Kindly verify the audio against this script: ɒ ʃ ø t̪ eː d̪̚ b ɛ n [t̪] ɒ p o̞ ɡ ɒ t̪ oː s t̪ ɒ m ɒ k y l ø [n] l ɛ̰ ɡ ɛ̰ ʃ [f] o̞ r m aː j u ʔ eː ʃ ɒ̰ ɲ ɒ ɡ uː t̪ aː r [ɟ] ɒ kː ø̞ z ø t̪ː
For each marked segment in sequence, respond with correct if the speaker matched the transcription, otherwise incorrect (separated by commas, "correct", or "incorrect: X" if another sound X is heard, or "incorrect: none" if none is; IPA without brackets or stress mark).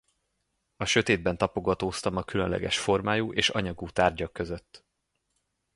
correct, correct, correct, correct